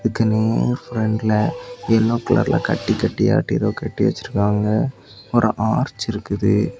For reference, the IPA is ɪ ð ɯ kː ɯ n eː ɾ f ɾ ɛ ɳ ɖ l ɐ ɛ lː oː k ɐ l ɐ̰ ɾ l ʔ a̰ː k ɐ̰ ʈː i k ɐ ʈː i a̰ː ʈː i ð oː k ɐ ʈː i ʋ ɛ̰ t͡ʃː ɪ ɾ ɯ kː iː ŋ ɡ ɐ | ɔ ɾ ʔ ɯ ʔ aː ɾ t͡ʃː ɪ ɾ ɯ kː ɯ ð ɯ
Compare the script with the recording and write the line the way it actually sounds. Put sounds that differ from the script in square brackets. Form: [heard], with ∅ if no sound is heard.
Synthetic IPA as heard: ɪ ð ɯ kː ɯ n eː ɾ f ɾ ɛ ɳ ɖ l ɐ ɛ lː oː k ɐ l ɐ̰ ɾ l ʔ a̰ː k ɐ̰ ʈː i k ɐ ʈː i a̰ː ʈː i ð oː k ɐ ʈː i ʋ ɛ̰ t͡ʃː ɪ ɾ ɯ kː [aː] ŋ ɡ ɐ | ɔ ɾ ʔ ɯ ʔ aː ɾ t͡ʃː ɪ ɾ ɯ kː ɯ ð ɯ